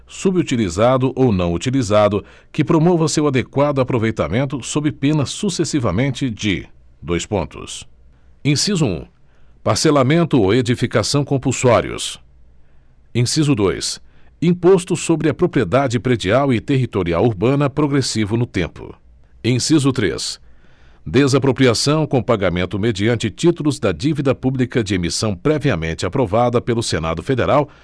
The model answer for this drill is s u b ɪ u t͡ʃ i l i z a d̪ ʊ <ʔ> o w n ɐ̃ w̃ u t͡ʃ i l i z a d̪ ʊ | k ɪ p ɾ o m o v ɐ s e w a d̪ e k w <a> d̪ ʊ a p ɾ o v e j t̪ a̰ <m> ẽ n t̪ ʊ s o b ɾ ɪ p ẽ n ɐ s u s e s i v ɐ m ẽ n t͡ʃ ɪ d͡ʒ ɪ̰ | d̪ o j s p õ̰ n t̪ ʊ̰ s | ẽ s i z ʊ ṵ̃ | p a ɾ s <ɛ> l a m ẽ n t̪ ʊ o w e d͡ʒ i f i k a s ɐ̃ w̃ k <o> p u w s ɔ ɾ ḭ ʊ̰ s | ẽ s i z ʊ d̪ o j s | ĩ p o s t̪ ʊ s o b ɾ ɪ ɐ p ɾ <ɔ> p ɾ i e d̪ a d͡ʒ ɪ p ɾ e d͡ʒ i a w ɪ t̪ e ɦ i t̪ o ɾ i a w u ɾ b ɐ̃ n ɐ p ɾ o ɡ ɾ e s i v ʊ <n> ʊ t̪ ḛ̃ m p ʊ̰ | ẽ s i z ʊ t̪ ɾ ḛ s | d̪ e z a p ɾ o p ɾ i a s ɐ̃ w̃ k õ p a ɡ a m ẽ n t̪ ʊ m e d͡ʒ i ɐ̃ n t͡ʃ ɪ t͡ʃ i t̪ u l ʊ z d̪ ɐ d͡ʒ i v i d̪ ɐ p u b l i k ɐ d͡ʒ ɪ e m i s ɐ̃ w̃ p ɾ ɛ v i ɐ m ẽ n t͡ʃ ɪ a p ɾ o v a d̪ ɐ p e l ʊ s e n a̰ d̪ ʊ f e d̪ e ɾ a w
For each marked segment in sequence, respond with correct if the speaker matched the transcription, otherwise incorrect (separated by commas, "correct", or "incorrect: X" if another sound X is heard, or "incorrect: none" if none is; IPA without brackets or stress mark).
correct, correct, correct, incorrect: e, incorrect: õ, incorrect: o, correct